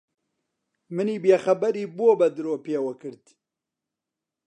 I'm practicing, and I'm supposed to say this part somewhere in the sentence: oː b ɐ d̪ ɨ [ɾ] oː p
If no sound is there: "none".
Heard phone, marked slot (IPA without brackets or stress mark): ɾ